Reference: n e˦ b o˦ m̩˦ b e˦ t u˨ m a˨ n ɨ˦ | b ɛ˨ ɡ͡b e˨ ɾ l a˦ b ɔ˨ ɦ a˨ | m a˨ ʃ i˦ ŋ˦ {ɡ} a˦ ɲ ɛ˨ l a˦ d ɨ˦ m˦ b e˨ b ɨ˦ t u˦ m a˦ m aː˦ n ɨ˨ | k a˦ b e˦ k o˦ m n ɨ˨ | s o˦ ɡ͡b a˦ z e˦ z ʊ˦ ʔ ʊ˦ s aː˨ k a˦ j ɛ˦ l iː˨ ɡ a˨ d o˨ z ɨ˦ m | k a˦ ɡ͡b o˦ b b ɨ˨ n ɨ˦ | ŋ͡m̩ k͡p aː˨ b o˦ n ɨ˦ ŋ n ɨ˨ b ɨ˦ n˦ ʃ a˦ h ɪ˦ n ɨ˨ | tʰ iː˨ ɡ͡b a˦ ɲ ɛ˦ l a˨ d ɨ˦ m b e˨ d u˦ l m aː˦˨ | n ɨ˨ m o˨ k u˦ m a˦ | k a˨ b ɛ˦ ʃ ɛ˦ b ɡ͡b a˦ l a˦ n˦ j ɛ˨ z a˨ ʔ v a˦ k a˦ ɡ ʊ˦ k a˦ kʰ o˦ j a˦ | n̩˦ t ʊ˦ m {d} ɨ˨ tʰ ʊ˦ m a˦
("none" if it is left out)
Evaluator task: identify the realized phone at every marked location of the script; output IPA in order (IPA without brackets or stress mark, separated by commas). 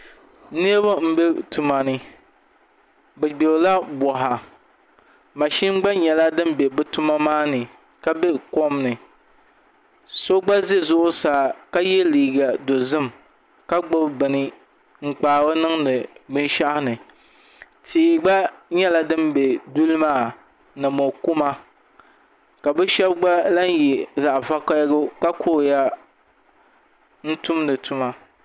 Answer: ɡ͡b, n